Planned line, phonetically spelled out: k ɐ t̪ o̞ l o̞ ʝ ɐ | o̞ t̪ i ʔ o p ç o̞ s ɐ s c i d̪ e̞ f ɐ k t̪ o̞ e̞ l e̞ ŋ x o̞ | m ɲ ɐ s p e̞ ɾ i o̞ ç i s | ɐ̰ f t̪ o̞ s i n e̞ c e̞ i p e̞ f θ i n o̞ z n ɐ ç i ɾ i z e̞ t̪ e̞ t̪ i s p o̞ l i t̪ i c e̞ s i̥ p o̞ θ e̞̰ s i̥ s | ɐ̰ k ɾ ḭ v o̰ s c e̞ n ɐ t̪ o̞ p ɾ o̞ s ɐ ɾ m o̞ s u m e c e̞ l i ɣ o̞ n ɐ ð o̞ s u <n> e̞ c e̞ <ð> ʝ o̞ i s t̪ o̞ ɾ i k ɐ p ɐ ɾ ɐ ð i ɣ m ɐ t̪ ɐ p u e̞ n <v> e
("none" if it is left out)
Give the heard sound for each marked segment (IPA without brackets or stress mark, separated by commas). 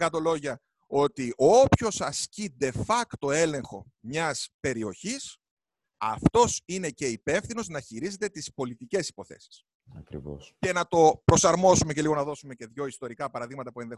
m, ð, ð